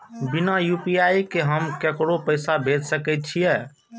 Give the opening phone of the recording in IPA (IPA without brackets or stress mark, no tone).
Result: b